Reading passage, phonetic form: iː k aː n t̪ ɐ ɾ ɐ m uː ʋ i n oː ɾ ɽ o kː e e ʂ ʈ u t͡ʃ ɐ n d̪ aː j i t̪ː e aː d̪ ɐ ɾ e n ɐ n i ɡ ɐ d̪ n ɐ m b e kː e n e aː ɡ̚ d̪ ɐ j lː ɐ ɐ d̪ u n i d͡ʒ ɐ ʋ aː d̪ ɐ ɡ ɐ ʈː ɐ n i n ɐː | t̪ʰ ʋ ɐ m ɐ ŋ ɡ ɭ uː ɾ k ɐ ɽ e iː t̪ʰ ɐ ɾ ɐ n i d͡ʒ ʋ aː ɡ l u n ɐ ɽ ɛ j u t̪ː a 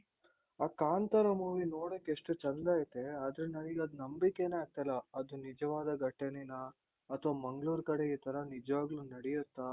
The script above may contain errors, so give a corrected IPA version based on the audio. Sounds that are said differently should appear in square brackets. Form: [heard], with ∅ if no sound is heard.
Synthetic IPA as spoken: [aː] k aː n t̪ ɐ ɾ ɐ m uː ʋ i n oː [∅] ɽ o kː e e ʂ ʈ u t͡ʃ ɐ n d̪ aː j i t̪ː e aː d̪ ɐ ɾ e n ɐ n i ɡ ɐ d̪ n ɐ m b [i] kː e n e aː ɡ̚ [t̪] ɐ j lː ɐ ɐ d̪ u n i d͡ʒ ɐ ʋ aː d̪ ɐ ɡ ɐ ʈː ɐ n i n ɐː | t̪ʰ ʋ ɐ m ɐ ŋ ɡ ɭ uː ɾ k ɐ ɽ e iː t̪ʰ ɐ ɾ ɐ n i d͡ʒ ʋ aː ɡ l u n ɐ ɽ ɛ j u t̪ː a

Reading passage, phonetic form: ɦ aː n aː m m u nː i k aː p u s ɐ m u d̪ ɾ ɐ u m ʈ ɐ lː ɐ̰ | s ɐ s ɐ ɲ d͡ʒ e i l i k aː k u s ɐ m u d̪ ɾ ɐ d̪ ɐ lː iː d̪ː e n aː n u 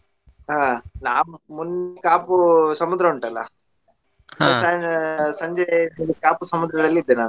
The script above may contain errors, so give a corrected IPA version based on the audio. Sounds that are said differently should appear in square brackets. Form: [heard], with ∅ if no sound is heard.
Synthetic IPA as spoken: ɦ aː n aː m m u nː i k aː p u s ɐ m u d̪ ɾ ɐ u [ɳ] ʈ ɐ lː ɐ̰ | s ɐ s ɐ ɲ d͡ʒ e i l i k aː [p] u s ɐ m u d̪ ɾ ɐ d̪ ɐ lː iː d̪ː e n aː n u

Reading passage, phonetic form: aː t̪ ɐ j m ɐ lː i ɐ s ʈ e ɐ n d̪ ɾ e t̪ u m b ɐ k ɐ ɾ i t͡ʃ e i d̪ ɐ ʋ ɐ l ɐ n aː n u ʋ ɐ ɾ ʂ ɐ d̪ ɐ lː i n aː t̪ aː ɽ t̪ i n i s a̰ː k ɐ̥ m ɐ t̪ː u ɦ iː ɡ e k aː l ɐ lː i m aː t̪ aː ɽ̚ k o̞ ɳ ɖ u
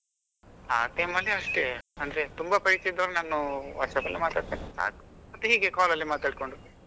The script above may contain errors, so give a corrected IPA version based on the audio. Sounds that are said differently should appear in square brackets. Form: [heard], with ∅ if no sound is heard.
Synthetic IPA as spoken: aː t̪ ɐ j m ɐ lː i ɐ [ʂ] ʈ e ɐ n d̪ ɾ e t̪ u m b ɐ [p] ɐ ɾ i t͡ʃ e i d̪ ɐ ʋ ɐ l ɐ n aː n u ʋ ɐ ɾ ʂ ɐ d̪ ɐ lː i [m] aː t̪ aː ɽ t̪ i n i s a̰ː k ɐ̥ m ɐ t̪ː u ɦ iː ɡ e k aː l ɐ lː i m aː t̪ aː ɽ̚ k o̞ ɳ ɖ u

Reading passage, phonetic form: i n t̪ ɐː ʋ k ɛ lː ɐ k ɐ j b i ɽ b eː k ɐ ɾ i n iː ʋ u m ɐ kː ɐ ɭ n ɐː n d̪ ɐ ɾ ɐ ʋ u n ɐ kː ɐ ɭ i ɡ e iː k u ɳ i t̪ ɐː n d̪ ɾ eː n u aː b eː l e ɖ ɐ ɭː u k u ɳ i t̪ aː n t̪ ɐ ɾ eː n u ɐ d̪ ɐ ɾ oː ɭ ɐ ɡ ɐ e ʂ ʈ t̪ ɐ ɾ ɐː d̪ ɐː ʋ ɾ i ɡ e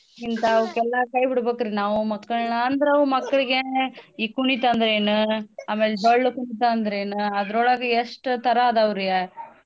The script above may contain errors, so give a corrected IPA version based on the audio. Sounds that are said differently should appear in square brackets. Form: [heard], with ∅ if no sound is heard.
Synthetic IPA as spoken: i n t̪ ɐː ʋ k ɛ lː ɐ k ɐ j b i ɽ b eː k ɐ ɾ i n [aː] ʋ u m ɐ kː ɐ ɭ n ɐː n d̪ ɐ ɾ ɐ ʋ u [m] ɐ kː ɐ ɭ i ɡ e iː k u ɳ i t̪ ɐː n d̪ ɾ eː n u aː [m] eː l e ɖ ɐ ɭː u k u ɳ i t̪ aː n [d̪] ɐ ɾ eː n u ɐ d̪ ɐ ɾ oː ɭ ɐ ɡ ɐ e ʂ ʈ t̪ ɐ ɾ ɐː d̪ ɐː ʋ ɾ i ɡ e

